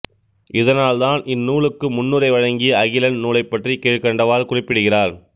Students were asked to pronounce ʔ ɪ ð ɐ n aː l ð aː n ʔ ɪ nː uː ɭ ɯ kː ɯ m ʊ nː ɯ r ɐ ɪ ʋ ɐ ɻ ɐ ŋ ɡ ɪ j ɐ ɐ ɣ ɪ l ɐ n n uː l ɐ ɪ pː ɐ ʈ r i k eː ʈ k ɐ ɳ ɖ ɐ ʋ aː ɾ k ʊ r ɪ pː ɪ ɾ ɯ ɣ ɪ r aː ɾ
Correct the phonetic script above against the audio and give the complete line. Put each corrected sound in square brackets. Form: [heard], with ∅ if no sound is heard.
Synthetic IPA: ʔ ɪ ð ɐ n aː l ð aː n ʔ ɪ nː uː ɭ ɯ kː ɯ m ʊ nː ɯ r ɐ ɪ ʋ ɐ ɻ ɐ ŋ ɡ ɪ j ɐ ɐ ɣ ɪ l ɐ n n uː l ɐ ɪ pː ɐ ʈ r i k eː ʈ k ɐ ɳ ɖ ɐ ʋ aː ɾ k ʊ r ɪ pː ɪ [ɽ] ɯ ɣ ɪ r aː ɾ